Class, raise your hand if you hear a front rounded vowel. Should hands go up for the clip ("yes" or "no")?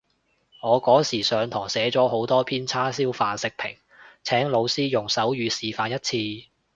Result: yes